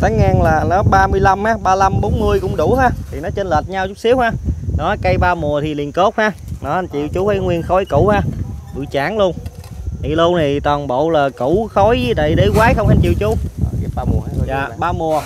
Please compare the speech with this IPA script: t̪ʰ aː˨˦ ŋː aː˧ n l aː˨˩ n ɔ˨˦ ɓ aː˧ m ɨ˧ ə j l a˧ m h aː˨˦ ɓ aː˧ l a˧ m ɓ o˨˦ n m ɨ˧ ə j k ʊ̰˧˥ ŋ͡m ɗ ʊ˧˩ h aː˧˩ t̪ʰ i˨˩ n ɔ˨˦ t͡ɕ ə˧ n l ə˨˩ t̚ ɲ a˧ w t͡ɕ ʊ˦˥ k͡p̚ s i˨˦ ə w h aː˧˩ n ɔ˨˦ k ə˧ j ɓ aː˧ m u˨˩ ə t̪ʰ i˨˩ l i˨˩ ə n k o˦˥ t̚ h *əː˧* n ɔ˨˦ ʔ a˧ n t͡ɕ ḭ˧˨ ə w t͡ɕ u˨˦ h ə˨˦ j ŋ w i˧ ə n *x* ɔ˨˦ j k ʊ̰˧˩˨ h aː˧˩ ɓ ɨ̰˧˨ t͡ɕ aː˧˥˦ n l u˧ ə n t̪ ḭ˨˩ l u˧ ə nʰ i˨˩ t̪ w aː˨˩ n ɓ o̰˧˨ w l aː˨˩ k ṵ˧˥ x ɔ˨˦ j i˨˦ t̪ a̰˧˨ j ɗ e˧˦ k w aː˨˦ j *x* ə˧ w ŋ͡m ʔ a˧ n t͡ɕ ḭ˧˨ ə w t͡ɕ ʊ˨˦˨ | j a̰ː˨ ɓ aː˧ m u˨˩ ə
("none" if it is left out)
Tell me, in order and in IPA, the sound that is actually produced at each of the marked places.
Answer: aː˧, x, x

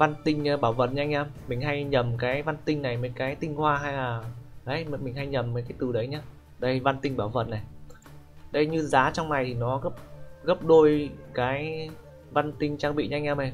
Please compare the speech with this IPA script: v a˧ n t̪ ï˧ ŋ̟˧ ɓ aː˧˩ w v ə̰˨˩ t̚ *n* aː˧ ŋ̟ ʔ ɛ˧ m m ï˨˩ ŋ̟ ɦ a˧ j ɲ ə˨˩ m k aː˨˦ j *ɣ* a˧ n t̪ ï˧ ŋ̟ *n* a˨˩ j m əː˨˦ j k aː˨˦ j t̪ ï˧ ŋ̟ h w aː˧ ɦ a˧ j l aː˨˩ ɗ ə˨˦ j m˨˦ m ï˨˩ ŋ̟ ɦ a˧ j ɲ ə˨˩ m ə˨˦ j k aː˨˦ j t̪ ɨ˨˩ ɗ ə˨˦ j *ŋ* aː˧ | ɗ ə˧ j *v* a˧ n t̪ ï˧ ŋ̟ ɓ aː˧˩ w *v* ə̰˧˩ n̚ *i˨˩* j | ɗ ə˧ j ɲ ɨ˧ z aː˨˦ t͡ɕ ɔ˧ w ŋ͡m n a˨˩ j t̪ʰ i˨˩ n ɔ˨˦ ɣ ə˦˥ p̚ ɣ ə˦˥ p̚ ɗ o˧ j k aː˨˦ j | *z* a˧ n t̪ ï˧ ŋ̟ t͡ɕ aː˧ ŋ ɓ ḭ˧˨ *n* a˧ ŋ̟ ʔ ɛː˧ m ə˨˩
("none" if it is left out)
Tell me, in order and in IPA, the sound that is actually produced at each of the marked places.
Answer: ɲ, v, n, ɲ, v, v, a˨˩, v, ɲ

